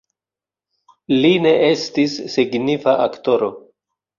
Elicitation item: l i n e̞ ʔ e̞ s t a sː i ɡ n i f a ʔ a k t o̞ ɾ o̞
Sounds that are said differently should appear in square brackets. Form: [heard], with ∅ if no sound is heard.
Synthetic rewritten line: l i n e̞ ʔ e̞ s t [i] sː i ɡ n i f a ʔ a k t o̞ ɾ o̞

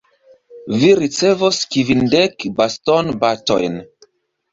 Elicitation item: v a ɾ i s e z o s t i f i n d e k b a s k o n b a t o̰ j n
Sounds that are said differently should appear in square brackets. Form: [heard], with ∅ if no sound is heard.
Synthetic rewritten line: v [i] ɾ i [t͡s] e [v] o s [k] i [v] i n d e k b a s [t] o n b a t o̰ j n

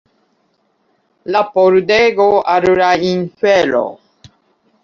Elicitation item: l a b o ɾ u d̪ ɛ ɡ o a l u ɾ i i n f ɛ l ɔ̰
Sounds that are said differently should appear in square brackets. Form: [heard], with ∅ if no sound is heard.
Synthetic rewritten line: l a [p] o ɾ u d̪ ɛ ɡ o a [ɾ] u ɾ [a] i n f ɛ l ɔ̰

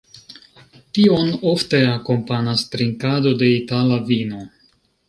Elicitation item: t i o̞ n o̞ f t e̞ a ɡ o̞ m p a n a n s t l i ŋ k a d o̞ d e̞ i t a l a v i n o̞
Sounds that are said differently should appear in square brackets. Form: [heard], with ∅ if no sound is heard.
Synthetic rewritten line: t i o̞ n o̞ f t e̞ a [k] o̞ m p a n a [∅] s t [ɾ] i ŋ k a d o̞ d e̞ i t a l a v i n o̞

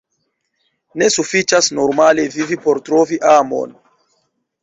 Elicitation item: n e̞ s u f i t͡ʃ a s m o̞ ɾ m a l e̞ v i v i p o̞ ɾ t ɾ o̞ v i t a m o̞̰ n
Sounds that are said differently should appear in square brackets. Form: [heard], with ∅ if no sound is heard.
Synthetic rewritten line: n e̞ s u f i t͡ʃ a s [n] o̞ ɾ m a l e̞ v i v i p o̞ ɾ t ɾ o̞ v i [ʔ] a m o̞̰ n

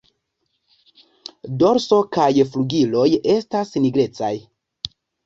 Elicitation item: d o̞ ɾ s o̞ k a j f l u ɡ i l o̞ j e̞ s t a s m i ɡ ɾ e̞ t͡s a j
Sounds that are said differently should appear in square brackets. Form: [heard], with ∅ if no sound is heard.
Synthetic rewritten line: d o̞ ɾ s o̞ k a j f l u ɡ i l o̞ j e̞ s t a s [n] i ɡ ɾ e̞ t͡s a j

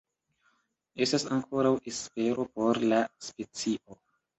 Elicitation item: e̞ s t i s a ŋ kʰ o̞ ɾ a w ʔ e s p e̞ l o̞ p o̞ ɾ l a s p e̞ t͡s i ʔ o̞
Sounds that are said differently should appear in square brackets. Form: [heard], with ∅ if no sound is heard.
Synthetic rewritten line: e̞ s t [a] s a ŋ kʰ o̞ ɾ a w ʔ e s p e̞ [ɾ] o̞ p o̞ ɾ l a s p e̞ t͡s i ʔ o̞

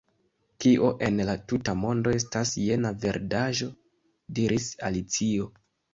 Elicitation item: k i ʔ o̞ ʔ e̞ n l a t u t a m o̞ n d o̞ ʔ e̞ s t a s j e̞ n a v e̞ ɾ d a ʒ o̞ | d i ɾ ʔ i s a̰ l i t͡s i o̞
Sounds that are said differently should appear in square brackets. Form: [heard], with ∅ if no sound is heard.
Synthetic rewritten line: k i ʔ o̞ ʔ e̞ n l a t u t a m o̞ n d o̞ [∅] e̞ s t a s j e̞ n a v e̞ ɾ d a ʒ o̞ | d i ɾ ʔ i s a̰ l i t͡s i o̞

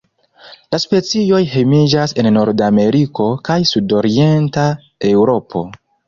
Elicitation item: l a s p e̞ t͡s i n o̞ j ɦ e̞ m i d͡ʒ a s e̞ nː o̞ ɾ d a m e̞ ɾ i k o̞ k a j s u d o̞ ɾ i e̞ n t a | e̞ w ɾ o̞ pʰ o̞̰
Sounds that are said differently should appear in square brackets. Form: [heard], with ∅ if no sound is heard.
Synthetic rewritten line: l a s p e̞ t͡s i [∅] o̞ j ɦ e̞ m i d͡ʒ a s e̞ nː o̞ ɾ d a m e̞ ɾ i k o̞ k a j s u d o̞ ɾ i e̞ n t a | e̞ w ɾ o̞ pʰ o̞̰

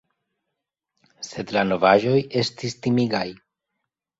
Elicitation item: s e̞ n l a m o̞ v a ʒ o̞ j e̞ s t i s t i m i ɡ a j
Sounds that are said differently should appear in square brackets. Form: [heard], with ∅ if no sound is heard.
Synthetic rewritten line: s e̞ [d] l a [n] o̞ v a ʒ o̞ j e̞ s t i s t i m i ɡ a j

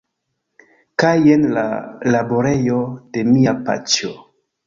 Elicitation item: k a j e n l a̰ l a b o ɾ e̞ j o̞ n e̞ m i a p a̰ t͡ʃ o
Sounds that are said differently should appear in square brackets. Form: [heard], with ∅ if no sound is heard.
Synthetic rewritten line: k a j e n l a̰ l a b o ɾ e̞ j o̞ [d] e̞ m i a p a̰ t͡ʃ o

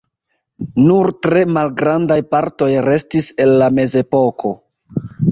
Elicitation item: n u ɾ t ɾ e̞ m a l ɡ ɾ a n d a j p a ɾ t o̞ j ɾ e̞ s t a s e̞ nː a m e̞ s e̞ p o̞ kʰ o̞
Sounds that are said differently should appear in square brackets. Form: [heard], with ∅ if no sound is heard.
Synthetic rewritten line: n u ɾ t ɾ e̞ m a l ɡ ɾ a n d a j p a ɾ t o̞ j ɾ e̞ s t [i] s e̞ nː a m e̞ [z] e̞ p o̞ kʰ o̞

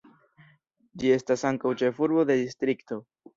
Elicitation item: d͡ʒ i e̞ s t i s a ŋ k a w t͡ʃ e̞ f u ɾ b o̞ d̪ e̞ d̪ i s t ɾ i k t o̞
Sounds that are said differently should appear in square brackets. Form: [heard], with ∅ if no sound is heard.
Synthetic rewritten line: d͡ʒ i e̞ s t [a] s a ŋ k a w t͡ʃ e̞ f u ɾ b o̞ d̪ e̞ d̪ i s t ɾ i k t o̞

